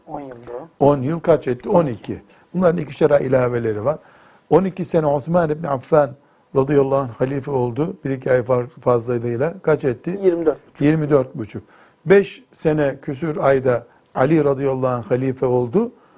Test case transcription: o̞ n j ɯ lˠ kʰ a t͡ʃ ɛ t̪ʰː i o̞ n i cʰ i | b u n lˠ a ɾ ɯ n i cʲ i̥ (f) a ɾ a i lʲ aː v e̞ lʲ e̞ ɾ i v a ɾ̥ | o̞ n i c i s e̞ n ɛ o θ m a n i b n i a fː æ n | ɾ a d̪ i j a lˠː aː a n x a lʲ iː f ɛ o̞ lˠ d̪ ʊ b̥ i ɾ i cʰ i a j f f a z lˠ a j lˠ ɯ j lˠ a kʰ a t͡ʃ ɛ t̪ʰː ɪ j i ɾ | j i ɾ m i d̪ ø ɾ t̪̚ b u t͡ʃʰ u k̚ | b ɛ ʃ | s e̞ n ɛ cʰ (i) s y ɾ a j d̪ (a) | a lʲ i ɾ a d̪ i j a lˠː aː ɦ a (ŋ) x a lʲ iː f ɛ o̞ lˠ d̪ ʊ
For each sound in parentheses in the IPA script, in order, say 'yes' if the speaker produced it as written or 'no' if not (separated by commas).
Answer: no, no, yes, no